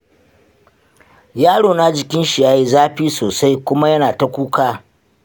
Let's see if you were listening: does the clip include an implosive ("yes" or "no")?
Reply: no